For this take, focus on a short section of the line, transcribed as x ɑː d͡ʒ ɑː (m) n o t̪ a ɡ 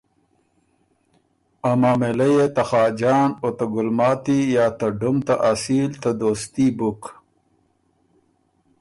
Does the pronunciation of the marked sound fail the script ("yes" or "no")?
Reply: yes